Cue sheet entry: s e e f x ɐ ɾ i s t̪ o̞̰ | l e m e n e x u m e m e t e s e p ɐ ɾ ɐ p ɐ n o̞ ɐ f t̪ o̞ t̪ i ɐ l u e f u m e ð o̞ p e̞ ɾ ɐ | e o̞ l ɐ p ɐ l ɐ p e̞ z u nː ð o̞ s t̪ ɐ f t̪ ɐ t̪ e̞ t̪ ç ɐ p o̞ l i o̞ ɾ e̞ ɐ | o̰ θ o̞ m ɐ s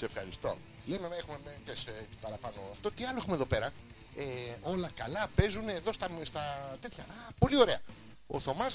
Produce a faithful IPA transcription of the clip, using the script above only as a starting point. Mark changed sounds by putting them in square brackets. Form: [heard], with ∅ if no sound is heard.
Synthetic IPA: s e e f x ɐ ɾ i s t̪ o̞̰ | l e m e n e x u m e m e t e s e p ɐ ɾ ɐ p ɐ n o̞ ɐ f t̪ o̞ t̪ i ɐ l [o] e [x] u m e ð o̞ p e̞ ɾ ɐ | e o̞ l ɐ [k] ɐ l ɐ p e̞ z u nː ð o̞ s t̪ ɐ [s] t̪ ɐ t̪ e̞ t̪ ç ɐ p o̞ l i o̞ ɾ e̞ ɐ | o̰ θ o̞ m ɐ s